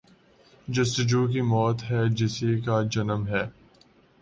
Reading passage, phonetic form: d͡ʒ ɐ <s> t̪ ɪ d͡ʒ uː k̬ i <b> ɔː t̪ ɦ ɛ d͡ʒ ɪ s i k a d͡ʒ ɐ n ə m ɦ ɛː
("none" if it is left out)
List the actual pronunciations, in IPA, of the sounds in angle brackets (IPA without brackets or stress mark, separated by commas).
s, m